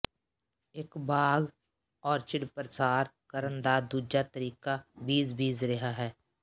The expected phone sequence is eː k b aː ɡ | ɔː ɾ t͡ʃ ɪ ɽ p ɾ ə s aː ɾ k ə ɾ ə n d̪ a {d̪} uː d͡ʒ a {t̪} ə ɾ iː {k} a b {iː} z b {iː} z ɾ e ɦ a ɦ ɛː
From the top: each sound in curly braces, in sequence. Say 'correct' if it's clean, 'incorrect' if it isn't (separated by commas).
correct, correct, correct, correct, correct